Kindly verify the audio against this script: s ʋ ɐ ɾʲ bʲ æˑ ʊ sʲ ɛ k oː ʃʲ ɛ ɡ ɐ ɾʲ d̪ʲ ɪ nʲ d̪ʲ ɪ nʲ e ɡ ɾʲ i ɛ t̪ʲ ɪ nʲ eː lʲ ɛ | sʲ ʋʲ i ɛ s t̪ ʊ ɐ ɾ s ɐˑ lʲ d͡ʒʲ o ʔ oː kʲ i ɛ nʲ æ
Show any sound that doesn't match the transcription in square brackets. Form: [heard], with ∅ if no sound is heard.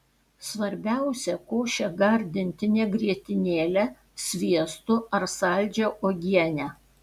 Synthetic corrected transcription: s ʋ ɐ ɾʲ bʲ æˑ ʊ sʲ ɛ k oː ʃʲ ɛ ɡ ɐ ɾʲ d̪ʲ ɪ nʲ [t̪ʲ] ɪ nʲ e ɡ ɾʲ i ɛ t̪ʲ ɪ nʲ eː lʲ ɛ | sʲ ʋʲ i ɛ s t̪ ʊ ɐ ɾ s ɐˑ lʲ d͡ʒʲ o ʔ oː [ɡʲ] i ɛ nʲ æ